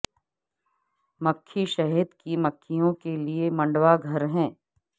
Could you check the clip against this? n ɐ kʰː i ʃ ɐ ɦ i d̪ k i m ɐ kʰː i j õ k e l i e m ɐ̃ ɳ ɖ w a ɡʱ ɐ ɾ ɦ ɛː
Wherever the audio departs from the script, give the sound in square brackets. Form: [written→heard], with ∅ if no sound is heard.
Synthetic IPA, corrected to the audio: [n→m] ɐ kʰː i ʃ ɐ ɦ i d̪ k i m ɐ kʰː i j õ k e l i e m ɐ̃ ɳ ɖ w a ɡʱ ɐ ɾ ɦ [ɛː→ɛ̃ː]